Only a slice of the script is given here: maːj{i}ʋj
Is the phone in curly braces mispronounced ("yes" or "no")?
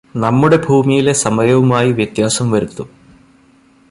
no